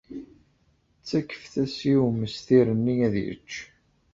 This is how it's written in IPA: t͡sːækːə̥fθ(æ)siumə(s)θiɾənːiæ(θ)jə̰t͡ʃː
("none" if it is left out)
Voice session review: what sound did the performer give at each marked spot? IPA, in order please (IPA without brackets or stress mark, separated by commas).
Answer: æ, s, ð